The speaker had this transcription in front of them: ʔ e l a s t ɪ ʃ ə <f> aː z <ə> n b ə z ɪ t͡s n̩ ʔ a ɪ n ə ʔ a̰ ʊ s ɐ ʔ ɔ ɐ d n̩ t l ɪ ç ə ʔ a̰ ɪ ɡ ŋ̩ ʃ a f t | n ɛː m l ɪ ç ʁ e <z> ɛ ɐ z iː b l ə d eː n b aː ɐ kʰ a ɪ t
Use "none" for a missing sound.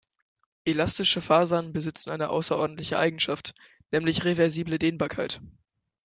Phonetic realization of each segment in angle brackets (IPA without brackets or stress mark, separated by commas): f, a, v